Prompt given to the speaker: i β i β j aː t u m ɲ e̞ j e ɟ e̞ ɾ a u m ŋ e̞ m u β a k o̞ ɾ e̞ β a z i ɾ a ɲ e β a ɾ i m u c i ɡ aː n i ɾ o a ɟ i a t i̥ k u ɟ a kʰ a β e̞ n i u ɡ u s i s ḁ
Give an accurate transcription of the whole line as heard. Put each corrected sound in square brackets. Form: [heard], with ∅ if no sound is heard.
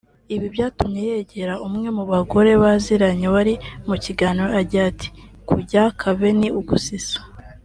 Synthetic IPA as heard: i β i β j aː t u m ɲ e̞ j e ɟ e̞ ɾ a u m ŋ e̞ m u β a [ɡ] o̞ ɾ e̞ β a z i ɾ a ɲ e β a ɾ i m u c i ɡ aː n i ɾ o a ɟ i a t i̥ k u ɟ a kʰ a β e̞ n i u ɡ u s i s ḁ